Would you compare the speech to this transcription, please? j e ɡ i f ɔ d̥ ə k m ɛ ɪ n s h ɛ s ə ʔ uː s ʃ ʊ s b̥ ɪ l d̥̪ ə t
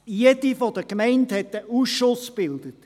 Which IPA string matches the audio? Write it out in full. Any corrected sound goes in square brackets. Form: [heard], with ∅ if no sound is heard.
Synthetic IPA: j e [d] i f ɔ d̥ ə k m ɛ ɪ n [t] h ɛ [t] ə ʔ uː s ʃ ʊ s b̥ ɪ l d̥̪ ə t